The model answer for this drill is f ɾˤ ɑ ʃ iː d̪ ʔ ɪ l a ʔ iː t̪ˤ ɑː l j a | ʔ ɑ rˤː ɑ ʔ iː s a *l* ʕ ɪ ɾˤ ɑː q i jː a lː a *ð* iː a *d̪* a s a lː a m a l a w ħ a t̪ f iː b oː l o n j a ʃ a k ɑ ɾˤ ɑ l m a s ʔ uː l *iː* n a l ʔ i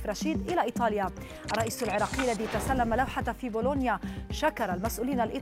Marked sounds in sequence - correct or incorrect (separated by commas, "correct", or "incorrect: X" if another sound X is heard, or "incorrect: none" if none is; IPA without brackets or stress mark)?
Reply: correct, correct, incorrect: t̪, correct